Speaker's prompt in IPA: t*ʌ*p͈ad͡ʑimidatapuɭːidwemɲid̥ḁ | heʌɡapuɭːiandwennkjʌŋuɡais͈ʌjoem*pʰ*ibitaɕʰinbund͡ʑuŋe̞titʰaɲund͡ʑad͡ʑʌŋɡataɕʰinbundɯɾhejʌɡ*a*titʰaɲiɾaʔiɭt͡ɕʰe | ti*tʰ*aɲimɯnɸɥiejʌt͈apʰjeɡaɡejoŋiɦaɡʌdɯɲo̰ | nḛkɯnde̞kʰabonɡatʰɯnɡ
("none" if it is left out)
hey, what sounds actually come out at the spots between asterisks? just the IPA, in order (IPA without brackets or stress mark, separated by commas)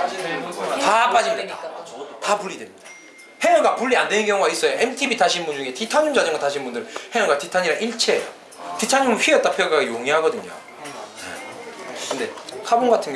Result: a, tʰ, a, tʰ